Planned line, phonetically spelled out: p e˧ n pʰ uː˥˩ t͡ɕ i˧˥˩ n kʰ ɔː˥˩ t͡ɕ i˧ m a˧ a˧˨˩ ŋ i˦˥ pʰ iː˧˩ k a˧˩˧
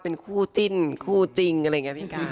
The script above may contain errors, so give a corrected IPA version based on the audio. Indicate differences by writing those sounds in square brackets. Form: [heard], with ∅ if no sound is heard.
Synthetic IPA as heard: p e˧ n [kʰ] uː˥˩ t͡ɕ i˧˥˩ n kʰ [uː˥˩] t͡ɕ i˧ [ŋ] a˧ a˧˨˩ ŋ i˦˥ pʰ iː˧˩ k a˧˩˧